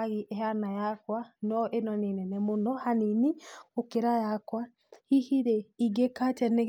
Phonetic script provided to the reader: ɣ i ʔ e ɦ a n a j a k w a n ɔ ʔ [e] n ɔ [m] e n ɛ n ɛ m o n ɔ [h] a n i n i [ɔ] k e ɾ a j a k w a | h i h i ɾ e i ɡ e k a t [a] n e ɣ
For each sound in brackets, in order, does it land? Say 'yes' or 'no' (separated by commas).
yes, no, yes, no, no